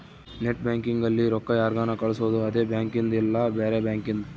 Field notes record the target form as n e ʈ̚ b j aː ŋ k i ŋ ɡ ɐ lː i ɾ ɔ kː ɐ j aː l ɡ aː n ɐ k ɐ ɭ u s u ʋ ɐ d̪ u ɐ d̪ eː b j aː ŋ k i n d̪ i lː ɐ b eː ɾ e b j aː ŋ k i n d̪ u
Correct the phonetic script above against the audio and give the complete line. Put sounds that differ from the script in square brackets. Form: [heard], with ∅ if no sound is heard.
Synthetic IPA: n e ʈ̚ b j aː ŋ k i ŋ ɡ ɐ lː i ɾ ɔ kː ɐ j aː [ɾ] ɡ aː n ɐ k ɐ ɭ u s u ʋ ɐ d̪ u ɐ d̪ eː b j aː ŋ k i n d̪ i lː ɐ b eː ɾ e b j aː ŋ k i n d̪ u